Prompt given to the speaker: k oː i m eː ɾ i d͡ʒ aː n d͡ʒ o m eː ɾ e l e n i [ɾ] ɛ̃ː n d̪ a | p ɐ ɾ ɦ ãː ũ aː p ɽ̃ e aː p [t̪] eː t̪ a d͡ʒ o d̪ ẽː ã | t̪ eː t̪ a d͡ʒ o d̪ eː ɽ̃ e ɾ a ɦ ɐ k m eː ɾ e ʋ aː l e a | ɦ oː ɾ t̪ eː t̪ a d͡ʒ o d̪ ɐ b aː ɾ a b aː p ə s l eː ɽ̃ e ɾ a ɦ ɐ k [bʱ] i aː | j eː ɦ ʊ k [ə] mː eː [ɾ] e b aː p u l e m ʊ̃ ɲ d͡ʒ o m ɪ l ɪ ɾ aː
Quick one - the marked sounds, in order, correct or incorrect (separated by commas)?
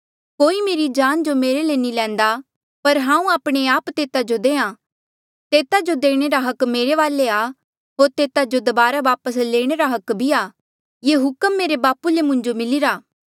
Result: incorrect, correct, correct, correct, correct